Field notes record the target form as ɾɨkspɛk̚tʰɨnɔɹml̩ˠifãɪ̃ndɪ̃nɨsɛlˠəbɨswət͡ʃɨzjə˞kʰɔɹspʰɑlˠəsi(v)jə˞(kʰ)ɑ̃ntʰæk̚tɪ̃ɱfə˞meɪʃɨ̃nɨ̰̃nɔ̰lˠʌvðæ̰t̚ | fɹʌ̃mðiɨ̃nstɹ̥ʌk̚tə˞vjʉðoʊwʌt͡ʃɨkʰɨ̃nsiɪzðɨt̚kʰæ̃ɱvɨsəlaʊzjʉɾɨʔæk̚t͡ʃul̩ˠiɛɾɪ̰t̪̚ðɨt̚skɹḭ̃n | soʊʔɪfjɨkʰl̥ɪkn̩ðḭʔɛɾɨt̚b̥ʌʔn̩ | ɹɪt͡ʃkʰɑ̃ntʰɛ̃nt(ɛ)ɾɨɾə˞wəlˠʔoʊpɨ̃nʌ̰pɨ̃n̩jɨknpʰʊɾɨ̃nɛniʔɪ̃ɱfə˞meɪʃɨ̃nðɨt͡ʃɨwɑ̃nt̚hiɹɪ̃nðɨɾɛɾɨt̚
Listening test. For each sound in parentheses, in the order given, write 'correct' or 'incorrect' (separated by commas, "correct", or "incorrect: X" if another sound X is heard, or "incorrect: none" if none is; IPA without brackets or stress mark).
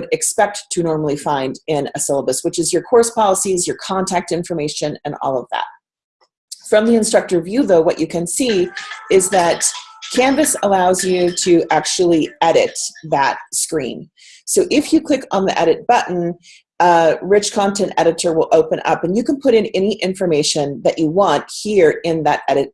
incorrect: z, correct, correct